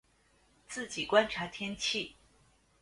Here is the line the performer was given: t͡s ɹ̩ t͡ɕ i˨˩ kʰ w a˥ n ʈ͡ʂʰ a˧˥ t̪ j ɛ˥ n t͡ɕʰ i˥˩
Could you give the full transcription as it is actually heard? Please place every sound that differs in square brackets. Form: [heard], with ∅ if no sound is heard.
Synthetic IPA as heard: t͡s ɹ̩ t͡ɕ i˨˩ [k] w a˥ n ʈ͡ʂʰ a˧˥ [t̪ʰ] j ɛ˥ n t͡ɕʰ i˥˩